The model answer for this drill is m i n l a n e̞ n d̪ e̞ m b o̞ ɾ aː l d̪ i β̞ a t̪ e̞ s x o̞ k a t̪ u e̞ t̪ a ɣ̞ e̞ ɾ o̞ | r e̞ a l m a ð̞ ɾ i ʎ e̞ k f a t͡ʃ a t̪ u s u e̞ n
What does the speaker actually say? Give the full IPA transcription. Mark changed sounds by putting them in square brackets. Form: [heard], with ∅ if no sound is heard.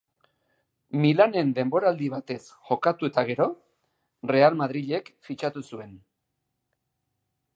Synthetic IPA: m i [∅] l a n e̞ n d̪ e̞ m b o̞ ɾ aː l d̪ i β̞ a t̪ e̞ s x o̞ k a t̪ u e̞ t̪ a ɣ̞ e̞ ɾ o̞ | r e̞ a l m a ð̞ ɾ i ʎ e̞ k f [i] t͡ʃ a t̪ u s u e̞ n